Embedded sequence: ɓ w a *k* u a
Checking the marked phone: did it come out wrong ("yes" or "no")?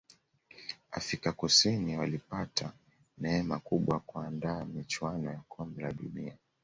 no